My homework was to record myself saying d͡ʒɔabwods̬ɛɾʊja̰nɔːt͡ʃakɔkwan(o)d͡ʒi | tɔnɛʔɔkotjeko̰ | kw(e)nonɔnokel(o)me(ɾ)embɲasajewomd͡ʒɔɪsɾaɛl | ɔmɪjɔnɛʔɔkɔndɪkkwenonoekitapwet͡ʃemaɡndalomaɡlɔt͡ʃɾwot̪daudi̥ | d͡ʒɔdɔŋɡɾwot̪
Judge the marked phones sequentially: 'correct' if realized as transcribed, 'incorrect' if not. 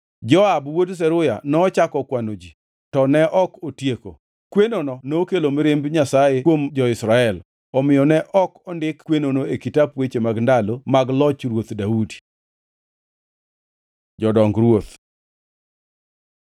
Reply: correct, correct, correct, correct

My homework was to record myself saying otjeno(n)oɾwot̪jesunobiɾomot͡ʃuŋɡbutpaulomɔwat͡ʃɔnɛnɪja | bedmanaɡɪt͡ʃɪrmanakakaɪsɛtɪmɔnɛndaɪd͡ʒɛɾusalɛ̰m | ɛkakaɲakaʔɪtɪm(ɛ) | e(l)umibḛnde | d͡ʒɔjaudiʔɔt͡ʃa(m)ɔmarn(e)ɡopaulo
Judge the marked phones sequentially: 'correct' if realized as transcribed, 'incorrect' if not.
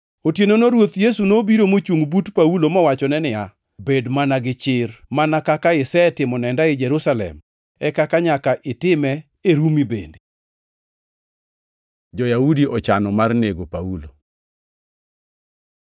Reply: correct, correct, incorrect, incorrect, correct

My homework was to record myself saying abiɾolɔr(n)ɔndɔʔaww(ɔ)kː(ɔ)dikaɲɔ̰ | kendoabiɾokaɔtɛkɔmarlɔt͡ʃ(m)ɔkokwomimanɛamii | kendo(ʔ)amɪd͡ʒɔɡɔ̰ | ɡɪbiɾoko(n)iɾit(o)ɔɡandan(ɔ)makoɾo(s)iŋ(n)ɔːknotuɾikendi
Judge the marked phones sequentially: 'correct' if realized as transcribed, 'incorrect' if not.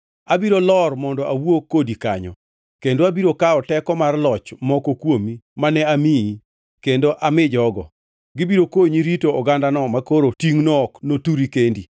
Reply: incorrect, incorrect, incorrect, correct, correct, incorrect, correct, correct, incorrect, correct

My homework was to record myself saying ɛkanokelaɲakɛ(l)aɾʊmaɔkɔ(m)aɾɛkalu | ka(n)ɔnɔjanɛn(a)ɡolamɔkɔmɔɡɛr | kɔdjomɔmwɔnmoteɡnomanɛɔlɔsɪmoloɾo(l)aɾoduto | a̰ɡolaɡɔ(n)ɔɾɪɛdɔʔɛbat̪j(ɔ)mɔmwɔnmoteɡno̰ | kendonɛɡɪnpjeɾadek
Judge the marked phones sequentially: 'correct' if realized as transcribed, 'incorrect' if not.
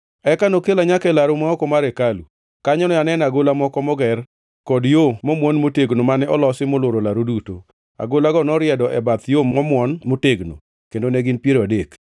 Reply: correct, correct, incorrect, correct, correct, correct, incorrect

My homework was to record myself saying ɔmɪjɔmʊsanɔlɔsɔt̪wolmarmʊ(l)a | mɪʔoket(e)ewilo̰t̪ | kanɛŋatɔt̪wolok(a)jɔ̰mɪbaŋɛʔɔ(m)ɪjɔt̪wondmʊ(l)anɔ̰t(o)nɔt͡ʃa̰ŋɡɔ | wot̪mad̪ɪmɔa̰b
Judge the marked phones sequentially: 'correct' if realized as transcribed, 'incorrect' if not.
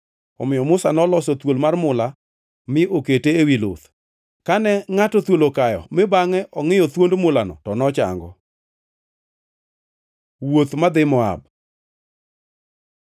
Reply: correct, correct, correct, incorrect, correct, incorrect

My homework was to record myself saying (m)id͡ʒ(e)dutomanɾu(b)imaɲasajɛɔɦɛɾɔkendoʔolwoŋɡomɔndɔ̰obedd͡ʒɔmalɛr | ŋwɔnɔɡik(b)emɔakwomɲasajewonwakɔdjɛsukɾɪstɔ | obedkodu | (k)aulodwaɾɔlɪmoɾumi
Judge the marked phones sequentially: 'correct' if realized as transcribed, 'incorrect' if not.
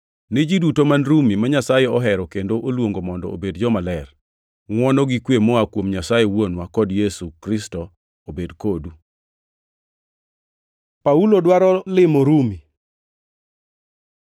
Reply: incorrect, incorrect, incorrect, incorrect, incorrect

